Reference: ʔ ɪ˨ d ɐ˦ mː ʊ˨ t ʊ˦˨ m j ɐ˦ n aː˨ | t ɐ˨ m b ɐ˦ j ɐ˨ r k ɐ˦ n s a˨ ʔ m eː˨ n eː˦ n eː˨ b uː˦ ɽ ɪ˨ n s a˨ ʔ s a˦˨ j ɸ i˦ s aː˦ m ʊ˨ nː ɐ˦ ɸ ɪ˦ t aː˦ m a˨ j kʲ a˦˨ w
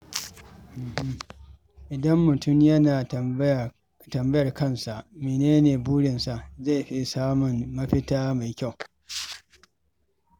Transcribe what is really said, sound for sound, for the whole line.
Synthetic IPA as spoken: ʔ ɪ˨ d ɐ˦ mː ʊ˨ t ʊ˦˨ m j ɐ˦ n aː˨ | t ɐ˨ m b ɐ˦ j ɐ˨ r k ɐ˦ n s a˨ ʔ m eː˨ n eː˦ n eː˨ b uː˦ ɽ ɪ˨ n s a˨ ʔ z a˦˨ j ɸ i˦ s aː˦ m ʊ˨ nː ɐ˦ ɸ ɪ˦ t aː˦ m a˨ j kʲ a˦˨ w